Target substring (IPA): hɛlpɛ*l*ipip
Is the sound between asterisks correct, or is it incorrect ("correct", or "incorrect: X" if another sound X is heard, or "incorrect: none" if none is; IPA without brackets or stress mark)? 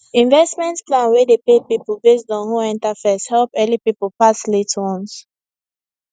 correct